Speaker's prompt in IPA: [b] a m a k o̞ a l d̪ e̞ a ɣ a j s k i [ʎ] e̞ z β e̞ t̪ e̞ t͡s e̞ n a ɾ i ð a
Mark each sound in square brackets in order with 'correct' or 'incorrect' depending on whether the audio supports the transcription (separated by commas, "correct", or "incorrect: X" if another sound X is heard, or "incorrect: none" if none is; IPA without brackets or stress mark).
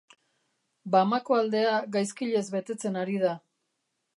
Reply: correct, correct